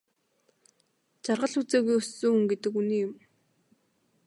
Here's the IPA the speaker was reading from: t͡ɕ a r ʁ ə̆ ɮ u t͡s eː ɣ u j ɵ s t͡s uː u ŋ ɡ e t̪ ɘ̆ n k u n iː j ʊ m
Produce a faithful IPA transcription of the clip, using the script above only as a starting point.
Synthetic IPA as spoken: t͡ɕ a r ʁ ə̆ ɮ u t͡s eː ɣ u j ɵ s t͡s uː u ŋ ɡ e t̪ ɘ̆ k u n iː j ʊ m